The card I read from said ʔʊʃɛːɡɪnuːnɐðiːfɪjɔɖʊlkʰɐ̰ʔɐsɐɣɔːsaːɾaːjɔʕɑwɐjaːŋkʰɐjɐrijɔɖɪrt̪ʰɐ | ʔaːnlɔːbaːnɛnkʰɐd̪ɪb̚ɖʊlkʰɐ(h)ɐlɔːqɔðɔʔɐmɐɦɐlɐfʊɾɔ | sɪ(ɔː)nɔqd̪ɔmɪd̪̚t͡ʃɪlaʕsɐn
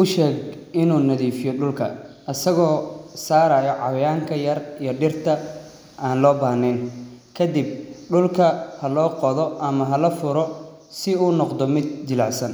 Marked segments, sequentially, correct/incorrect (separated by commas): correct, incorrect